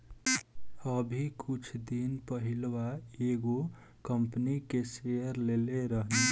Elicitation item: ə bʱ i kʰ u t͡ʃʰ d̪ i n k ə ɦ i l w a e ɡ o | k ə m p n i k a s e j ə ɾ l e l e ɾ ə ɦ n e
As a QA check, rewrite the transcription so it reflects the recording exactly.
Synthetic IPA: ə bʱ i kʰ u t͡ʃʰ d̪ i n p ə ɦ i l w a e ɡ o | k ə m p n i k e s e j ə ɾ l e l e ɾ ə ɦ n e